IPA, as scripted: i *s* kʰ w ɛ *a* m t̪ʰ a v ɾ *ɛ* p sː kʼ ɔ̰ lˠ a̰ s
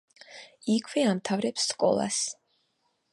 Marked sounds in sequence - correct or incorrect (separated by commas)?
incorrect, correct, correct